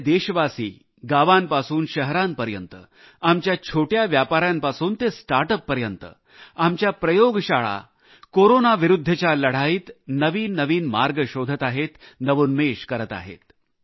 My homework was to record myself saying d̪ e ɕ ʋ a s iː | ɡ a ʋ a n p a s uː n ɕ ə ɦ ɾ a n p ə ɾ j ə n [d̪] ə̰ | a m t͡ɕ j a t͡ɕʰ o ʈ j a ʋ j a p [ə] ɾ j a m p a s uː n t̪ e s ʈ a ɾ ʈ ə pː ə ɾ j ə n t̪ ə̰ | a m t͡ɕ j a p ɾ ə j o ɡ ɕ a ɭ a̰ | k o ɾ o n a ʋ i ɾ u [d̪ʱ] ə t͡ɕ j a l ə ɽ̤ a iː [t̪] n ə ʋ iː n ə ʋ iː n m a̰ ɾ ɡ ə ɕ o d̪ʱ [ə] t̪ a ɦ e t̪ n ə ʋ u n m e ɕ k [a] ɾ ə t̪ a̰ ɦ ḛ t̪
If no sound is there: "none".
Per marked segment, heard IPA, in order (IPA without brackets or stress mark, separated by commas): t̪, a, d̪ʱː, t̪, ə, ə